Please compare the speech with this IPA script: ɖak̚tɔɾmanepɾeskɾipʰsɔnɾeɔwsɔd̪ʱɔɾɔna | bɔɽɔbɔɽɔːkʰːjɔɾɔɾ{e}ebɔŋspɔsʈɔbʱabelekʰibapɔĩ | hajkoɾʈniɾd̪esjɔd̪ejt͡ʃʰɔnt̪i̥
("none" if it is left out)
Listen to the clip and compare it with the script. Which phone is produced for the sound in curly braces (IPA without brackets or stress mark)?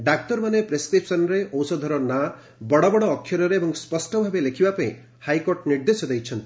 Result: e